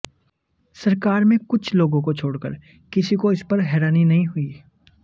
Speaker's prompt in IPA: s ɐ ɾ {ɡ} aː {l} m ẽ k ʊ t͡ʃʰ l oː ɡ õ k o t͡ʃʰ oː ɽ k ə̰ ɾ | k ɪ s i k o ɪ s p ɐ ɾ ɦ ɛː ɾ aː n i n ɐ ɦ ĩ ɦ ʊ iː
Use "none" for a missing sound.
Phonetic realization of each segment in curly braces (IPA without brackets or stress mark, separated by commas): k, ɾ